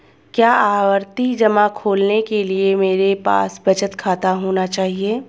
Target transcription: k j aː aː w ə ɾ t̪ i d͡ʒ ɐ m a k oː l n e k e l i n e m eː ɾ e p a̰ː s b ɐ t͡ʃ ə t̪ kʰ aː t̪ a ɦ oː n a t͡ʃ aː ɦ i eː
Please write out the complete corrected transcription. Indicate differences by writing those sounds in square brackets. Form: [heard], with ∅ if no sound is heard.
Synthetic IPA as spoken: k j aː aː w ə ɾ t̪ i d͡ʒ ɐ m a [kʰ] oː l n e k e l i [∅] e m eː ɾ e p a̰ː s b ɐ t͡ʃ ə t̪ kʰ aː t̪ a ɦ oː n a t͡ʃ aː ɦ i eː